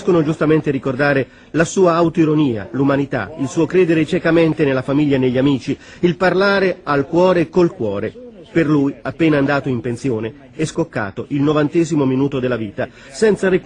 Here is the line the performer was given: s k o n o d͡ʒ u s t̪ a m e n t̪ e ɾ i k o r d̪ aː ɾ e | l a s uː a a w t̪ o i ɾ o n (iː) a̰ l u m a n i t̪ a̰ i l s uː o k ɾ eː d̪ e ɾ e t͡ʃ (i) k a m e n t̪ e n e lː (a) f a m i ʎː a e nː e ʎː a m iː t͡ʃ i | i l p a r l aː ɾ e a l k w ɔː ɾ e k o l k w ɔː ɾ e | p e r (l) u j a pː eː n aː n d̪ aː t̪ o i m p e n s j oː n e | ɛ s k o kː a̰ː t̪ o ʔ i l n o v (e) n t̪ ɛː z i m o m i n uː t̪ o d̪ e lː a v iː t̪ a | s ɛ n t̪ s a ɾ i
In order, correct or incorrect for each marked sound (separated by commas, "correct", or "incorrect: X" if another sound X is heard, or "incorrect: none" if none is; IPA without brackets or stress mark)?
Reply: correct, incorrect: ɛ, correct, correct, incorrect: a